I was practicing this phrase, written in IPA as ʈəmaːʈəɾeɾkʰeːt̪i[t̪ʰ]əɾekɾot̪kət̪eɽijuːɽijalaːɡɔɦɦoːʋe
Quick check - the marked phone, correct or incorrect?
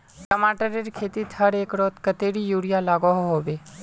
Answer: correct